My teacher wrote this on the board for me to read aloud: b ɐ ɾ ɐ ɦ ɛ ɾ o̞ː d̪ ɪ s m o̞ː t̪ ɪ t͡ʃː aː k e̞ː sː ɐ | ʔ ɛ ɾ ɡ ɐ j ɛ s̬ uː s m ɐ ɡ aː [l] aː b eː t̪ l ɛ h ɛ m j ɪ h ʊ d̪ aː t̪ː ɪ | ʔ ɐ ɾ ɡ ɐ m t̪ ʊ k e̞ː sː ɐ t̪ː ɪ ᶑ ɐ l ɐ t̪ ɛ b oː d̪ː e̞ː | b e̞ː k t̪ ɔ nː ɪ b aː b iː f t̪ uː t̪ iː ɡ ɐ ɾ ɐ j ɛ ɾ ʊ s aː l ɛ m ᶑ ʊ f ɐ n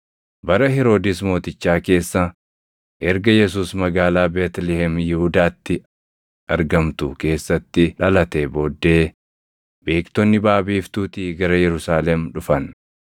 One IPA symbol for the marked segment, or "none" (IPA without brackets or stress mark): l